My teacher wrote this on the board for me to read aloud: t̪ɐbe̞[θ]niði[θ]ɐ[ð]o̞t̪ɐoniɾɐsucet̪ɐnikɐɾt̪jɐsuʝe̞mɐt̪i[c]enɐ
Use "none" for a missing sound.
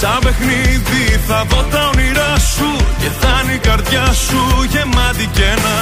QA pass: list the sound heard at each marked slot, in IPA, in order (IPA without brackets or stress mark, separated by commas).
x, θ, ð, c